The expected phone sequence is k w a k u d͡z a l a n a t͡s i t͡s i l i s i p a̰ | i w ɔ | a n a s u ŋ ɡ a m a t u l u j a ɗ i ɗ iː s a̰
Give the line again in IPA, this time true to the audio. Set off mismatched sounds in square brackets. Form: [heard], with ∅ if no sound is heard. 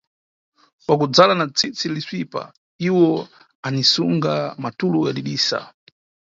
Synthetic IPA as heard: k w a k u d͡z a l a n a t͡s i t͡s i l i s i p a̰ | i w ɔ | a n [i] s u ŋ ɡ a m a t u l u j a ɗ i ɗ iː s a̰